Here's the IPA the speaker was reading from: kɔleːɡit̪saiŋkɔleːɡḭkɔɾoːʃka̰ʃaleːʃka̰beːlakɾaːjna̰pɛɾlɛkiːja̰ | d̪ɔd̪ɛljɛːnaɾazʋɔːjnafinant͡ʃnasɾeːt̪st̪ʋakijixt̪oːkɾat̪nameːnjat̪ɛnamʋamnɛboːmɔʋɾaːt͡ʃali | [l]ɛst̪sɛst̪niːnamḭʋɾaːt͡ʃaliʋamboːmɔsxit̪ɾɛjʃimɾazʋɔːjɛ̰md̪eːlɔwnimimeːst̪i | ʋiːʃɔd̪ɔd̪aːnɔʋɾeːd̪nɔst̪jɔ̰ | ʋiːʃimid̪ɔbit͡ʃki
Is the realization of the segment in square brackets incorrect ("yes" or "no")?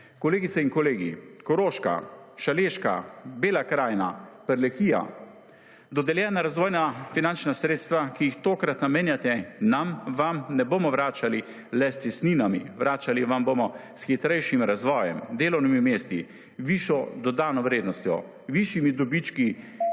no